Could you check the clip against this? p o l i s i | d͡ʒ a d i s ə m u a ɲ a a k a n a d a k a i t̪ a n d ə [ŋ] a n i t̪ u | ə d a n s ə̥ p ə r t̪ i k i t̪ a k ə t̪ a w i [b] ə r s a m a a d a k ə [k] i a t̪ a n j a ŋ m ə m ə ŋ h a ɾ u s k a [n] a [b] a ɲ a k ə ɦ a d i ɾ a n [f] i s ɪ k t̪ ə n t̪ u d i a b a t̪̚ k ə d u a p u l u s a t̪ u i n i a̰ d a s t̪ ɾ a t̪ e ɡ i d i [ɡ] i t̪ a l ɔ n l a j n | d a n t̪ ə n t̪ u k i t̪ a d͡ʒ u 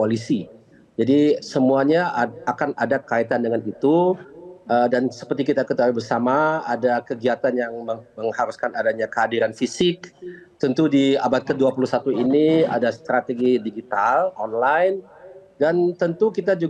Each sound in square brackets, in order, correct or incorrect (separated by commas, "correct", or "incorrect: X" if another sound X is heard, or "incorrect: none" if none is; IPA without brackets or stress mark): correct, correct, incorrect: ɡ, correct, incorrect: d, correct, correct